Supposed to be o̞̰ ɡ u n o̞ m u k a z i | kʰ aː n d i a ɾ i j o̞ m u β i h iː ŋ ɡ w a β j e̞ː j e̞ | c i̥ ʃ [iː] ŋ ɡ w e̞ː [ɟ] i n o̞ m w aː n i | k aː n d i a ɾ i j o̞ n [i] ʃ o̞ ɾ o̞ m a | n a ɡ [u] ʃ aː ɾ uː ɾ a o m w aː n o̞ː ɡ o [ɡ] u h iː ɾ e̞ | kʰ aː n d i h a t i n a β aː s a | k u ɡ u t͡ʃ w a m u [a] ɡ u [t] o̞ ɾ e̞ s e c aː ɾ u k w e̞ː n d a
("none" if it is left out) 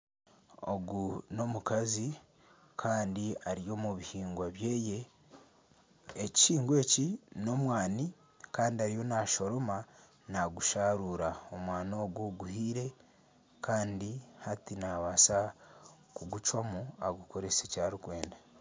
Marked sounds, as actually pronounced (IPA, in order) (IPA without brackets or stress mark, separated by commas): iː, c, a, u, ɡ, a, k